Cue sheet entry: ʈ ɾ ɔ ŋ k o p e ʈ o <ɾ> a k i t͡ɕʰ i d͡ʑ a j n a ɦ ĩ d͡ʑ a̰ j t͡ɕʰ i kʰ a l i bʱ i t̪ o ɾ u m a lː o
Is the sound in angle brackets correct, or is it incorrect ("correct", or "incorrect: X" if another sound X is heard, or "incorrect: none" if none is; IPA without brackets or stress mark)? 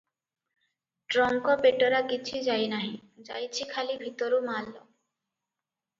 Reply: correct